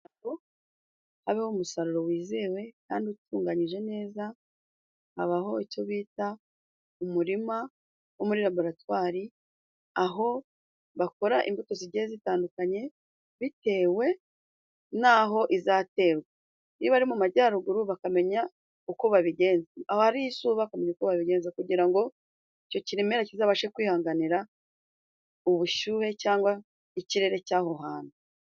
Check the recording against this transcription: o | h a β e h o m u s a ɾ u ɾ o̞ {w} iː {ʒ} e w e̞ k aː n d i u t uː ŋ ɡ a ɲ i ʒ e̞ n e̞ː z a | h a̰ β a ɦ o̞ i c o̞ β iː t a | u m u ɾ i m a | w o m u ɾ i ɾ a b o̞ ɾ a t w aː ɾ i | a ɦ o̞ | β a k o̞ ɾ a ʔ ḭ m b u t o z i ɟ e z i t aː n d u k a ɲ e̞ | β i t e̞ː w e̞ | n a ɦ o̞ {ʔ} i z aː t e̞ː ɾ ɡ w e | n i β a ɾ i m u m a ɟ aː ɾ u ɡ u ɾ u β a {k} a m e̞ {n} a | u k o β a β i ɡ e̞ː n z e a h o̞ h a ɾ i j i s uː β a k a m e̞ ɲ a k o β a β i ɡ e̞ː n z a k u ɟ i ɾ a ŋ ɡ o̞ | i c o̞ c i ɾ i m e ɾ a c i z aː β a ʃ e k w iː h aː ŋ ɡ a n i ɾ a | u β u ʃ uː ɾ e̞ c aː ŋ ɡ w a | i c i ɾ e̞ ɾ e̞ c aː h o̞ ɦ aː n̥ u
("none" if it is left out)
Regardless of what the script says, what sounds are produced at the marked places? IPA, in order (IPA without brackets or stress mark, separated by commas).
w, z, ʔ, k, ɲ